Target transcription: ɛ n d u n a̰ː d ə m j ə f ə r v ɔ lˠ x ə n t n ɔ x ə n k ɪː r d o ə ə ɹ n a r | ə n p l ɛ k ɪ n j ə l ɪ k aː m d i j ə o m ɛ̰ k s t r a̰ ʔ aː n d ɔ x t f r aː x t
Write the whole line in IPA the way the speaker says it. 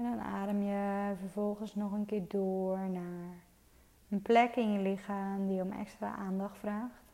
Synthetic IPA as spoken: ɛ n d ɔ n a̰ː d ə m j ə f ə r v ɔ lˠ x ə n s n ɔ x ə n k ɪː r d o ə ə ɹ n a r | ə n p l ɛ k ɪ n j ə l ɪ x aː m d i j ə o m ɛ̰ k s t r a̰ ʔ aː n d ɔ x t f r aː x t